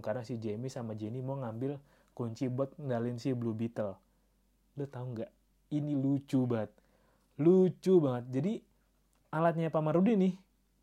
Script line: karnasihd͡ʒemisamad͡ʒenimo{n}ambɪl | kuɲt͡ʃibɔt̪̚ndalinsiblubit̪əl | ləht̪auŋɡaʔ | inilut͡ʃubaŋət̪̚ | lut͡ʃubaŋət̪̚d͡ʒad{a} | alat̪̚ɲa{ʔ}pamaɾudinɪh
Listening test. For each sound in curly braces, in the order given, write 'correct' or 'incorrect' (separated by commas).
incorrect, incorrect, incorrect